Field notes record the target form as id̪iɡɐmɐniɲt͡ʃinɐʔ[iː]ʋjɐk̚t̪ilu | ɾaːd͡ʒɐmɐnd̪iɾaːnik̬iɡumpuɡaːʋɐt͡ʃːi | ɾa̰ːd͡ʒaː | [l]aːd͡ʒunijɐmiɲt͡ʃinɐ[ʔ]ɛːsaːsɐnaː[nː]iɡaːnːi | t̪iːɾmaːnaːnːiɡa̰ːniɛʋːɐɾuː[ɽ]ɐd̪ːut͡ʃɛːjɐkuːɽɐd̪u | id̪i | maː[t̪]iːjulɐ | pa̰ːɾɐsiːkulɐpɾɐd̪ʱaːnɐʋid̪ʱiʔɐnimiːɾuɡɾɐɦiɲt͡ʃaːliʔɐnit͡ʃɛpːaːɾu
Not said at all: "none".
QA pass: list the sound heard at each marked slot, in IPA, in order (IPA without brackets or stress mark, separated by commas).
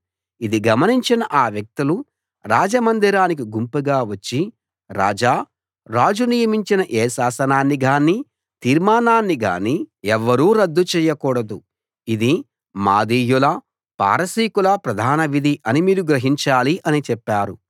aː, ɾ, ʔ, nː, ɾ, d̪